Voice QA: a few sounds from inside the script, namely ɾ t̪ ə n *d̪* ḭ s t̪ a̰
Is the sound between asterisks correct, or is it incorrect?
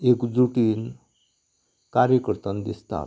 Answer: correct